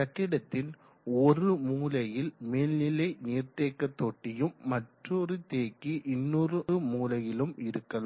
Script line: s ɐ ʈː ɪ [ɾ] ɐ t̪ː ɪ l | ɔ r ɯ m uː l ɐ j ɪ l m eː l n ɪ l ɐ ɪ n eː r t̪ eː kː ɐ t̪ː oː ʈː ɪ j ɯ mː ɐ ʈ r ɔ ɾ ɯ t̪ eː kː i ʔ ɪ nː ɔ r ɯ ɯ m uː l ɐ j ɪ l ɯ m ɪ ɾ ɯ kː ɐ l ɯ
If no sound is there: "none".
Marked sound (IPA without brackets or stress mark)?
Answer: ɽ